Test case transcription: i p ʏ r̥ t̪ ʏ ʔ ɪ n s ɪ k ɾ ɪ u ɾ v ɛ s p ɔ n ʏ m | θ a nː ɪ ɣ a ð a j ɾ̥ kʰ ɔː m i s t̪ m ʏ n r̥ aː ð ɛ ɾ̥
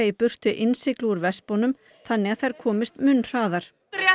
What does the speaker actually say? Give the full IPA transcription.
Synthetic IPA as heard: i p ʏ r̥ t̪ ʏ ʔ ɪ n s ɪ k l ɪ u ɾ v ɛ s p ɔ n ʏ m | θ a nː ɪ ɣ a θ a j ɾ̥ kʰ ɔː m ɪ s t̪ m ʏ n r̥ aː ð a ɾ̥

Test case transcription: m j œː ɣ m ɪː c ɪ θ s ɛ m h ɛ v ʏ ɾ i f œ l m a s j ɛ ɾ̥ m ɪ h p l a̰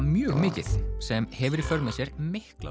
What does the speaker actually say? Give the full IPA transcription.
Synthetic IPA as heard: m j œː ɣ m ɪː c ɪ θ s ɛ m h ɛ v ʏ ɾ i f œ ɾ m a s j ɛ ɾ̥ m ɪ h k l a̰

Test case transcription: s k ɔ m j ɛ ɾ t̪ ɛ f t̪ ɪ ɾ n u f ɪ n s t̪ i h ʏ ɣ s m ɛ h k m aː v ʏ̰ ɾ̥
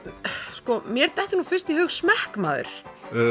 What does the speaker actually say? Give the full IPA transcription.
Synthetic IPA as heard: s k ɔ m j ɛ ɾ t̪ ɛ h t̪ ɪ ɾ n u f ɪ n s t̪ i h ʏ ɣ s m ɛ h k m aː ð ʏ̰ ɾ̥

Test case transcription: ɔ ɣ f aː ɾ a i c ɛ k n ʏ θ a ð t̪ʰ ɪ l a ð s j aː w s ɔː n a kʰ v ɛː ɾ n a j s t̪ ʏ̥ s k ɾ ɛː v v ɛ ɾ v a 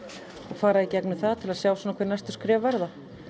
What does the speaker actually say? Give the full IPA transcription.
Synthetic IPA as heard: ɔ ɣ f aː ɾ a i c ɛ k n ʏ θ a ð t̪ʰ ɪ l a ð s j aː w s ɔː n a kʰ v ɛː ɾ n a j s t̪ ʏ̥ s k ɾ ɛː v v ɛ ɾ ð a

